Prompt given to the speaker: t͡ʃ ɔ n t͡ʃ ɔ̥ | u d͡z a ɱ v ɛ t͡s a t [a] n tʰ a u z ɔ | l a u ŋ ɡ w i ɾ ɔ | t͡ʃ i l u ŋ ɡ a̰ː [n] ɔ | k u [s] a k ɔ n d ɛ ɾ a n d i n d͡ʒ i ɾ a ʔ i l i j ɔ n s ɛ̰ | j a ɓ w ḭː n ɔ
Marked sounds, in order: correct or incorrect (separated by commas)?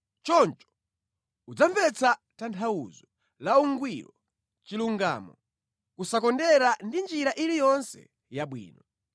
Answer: correct, incorrect, correct